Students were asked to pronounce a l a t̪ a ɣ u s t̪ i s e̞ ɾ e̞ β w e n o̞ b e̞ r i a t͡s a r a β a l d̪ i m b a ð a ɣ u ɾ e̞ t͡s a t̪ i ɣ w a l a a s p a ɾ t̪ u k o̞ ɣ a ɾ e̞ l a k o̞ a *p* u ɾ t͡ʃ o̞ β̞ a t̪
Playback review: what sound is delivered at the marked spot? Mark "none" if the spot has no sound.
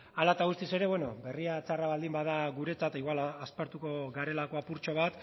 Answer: p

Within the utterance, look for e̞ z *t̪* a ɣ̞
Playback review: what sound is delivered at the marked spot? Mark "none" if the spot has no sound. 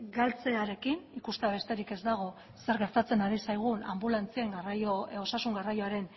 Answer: d̪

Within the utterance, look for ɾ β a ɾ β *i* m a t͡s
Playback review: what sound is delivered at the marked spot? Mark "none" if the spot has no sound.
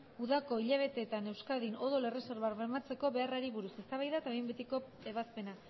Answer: e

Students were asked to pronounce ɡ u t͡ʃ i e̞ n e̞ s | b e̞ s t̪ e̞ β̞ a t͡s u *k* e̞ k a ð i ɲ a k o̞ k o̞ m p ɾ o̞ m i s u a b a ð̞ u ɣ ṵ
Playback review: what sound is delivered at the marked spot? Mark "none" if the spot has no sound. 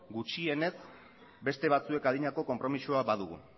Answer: none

